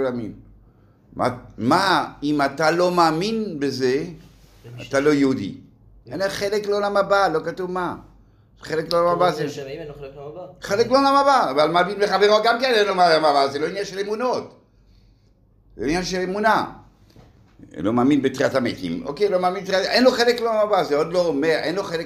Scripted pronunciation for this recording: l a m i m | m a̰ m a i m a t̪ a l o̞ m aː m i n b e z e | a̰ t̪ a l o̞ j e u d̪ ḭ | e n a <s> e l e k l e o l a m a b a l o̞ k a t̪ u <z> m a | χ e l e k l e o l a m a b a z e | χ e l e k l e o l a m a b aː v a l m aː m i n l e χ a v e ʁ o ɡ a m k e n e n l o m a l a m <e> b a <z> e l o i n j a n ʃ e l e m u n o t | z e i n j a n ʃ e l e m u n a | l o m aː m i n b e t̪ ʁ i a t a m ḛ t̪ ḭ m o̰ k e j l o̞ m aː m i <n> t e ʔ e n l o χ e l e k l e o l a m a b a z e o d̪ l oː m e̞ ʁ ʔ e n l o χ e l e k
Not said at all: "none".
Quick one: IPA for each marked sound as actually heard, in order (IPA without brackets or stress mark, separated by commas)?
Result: χ, v, a, z, n